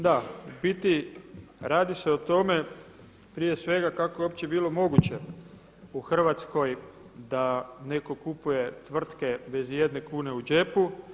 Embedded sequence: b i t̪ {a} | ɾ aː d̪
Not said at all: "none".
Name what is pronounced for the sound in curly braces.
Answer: i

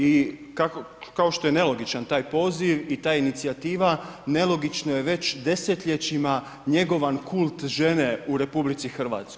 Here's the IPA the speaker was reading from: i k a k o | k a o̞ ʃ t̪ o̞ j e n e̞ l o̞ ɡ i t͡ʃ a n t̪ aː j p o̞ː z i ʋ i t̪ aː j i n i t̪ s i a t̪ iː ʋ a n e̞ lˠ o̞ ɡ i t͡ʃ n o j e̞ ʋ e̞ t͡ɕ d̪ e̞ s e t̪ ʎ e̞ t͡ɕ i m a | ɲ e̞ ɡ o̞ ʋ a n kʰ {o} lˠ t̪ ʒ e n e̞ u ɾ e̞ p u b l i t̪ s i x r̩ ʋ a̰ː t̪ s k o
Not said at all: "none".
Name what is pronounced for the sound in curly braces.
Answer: u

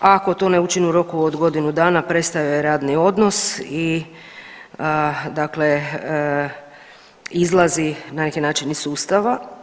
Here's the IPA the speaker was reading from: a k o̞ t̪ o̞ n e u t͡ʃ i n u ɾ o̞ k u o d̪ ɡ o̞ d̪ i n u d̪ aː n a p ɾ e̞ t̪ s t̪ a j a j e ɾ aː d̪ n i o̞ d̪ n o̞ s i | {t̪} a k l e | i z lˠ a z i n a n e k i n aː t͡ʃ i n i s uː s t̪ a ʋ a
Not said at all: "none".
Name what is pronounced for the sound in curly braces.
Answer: d̪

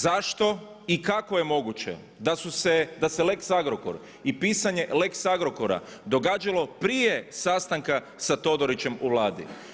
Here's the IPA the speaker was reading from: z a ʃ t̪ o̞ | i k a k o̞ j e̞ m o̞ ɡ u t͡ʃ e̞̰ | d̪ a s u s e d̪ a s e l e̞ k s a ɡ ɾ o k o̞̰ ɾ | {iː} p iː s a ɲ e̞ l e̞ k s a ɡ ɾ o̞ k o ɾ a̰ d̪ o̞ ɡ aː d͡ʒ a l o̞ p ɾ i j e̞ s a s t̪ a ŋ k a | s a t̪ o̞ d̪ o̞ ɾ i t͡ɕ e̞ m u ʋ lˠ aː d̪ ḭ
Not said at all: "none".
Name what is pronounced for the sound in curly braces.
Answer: i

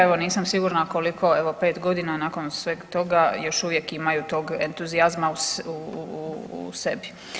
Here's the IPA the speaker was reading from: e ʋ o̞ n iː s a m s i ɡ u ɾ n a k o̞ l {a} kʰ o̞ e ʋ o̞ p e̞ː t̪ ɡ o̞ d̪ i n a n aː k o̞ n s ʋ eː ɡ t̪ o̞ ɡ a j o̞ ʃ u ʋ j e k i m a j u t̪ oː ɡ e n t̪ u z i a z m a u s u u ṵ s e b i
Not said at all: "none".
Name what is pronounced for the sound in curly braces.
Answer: i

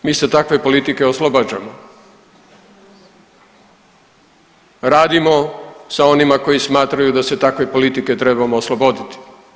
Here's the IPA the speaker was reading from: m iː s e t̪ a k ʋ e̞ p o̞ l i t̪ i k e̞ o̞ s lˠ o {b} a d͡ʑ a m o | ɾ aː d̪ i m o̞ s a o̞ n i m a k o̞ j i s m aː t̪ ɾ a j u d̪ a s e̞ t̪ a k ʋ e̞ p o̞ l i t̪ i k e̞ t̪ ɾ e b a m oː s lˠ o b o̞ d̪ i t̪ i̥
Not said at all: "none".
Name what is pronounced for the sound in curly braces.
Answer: b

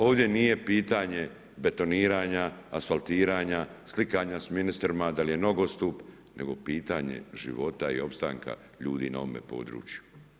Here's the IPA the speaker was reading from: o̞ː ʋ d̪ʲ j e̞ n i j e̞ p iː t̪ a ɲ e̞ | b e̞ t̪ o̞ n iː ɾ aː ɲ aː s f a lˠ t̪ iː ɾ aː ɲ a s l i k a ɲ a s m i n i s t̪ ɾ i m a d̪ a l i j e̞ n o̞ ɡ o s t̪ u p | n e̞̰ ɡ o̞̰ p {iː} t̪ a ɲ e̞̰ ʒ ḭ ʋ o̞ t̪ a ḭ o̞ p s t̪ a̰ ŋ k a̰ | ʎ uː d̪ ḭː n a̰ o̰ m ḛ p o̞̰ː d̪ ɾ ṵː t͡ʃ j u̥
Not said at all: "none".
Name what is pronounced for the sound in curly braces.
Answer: iː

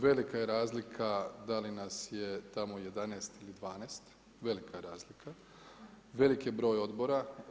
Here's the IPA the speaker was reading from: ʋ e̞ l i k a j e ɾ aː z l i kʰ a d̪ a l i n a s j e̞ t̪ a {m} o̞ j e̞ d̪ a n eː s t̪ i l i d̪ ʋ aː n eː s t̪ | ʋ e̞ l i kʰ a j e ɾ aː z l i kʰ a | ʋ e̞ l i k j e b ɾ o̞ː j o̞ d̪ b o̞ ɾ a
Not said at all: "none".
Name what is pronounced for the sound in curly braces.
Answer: m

